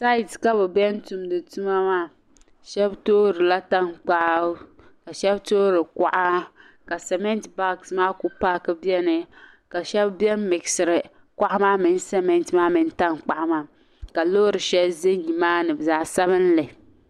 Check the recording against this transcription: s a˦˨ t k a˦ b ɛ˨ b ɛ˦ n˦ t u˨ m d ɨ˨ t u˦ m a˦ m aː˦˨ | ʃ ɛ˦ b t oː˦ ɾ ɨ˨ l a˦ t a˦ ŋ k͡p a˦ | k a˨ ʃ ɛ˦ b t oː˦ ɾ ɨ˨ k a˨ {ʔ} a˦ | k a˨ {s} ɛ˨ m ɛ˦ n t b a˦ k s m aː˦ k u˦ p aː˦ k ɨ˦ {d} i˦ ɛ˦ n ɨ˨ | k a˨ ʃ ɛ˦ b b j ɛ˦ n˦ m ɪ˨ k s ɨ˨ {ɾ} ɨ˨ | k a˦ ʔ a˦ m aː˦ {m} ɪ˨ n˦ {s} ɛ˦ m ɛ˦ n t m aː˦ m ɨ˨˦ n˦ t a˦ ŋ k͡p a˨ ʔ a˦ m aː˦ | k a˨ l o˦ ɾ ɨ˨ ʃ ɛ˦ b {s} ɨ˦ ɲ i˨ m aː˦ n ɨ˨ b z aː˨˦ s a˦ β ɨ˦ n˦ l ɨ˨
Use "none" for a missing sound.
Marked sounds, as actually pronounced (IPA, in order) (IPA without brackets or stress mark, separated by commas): ʔ, s, b, ɾ, m, s, z